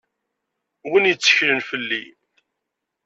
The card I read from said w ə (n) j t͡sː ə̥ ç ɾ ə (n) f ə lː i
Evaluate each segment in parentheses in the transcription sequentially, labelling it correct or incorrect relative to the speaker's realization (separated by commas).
correct, correct